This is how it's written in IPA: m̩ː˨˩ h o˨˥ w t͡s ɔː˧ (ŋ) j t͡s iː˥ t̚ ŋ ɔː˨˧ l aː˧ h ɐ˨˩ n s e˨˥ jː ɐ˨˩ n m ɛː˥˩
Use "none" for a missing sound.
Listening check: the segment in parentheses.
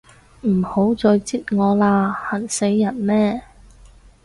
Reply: none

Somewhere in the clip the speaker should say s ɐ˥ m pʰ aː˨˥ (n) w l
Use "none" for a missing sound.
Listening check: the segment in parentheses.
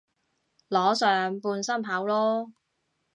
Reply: none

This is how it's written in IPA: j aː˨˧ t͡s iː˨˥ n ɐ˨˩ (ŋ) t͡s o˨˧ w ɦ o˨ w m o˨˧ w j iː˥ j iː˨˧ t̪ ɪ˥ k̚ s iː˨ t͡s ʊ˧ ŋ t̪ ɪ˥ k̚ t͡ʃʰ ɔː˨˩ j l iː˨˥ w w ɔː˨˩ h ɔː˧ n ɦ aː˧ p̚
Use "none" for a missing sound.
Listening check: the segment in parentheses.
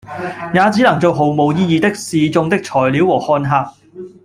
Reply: ŋ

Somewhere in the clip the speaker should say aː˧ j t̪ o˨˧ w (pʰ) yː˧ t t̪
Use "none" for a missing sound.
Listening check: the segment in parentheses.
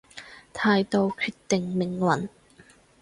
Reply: kʰ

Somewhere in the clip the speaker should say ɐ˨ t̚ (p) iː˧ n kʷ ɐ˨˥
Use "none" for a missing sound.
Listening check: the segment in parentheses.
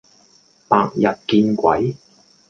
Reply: k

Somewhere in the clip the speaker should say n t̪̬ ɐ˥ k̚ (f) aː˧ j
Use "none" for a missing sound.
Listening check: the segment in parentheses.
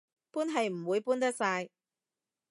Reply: s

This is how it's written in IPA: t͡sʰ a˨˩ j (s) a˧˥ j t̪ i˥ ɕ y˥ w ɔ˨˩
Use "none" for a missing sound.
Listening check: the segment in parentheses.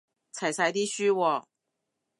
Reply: s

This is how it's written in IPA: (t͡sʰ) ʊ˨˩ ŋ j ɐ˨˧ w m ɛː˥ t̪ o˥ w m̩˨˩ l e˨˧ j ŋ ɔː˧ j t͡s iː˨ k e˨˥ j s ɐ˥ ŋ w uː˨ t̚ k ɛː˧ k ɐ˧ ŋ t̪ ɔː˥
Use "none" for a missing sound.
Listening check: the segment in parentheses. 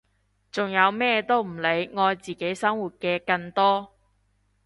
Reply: t͡s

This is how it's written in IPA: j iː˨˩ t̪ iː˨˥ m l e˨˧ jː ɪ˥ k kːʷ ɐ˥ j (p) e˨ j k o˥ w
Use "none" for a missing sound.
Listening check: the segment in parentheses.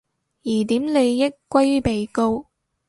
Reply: p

